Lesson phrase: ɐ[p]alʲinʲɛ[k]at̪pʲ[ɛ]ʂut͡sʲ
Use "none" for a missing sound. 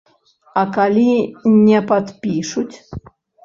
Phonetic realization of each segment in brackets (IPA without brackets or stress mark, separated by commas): k, p, i